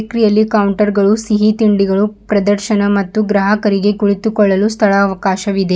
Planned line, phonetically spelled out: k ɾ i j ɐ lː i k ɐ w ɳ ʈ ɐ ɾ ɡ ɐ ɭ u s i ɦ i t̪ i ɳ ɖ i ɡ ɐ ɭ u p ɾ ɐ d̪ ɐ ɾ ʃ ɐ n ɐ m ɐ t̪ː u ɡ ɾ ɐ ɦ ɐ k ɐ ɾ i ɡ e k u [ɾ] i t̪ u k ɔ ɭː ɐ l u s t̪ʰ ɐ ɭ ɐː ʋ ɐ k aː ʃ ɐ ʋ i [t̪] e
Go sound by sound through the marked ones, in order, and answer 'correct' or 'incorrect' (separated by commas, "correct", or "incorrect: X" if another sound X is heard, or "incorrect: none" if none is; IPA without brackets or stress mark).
incorrect: ɭ, incorrect: d̪